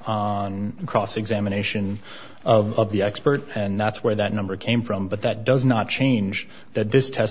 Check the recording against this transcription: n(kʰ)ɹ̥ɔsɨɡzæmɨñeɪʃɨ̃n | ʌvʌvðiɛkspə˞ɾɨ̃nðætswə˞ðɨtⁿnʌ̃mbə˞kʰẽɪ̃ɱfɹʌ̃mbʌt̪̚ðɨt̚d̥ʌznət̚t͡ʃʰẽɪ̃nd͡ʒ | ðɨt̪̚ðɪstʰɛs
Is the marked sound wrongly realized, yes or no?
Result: no